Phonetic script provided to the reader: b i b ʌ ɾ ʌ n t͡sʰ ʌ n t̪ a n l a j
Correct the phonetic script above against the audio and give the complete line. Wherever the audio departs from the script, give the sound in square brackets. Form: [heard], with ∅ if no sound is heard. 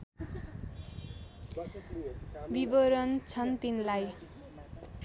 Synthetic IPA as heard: b i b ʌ ɾ ʌ n t͡sʰ ʌ n t̪ [i] n l a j